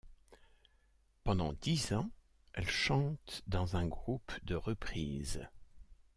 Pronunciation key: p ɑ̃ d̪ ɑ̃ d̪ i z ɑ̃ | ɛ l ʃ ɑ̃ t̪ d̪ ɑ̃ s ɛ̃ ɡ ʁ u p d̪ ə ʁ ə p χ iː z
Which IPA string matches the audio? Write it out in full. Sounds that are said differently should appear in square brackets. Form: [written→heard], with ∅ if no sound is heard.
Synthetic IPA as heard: p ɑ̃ d̪ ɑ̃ d̪ i z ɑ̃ | ɛ l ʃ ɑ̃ t̪ d̪ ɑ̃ [s→z] ɛ̃ ɡ ʁ u p d̪ ə ʁ ə p χ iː z